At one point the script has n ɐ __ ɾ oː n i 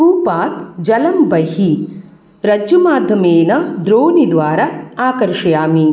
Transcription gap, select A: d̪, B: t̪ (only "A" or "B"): A